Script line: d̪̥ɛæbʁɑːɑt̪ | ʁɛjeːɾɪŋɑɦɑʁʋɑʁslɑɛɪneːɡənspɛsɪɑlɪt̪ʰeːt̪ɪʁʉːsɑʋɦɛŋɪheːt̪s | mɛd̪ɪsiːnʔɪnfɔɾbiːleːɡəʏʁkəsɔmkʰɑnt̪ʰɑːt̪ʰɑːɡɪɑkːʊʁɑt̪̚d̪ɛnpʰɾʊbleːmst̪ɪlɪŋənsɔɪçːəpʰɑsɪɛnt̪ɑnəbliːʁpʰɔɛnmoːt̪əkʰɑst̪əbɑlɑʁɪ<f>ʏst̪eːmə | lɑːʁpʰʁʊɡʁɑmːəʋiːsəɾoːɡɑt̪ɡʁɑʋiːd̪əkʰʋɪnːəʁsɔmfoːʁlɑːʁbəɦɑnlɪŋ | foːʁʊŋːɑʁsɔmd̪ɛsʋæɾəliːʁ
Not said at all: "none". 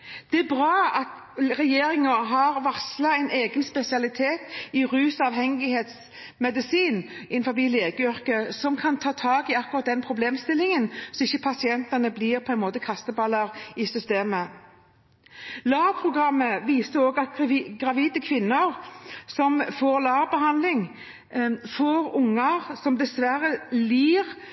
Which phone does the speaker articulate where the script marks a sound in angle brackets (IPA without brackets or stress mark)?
s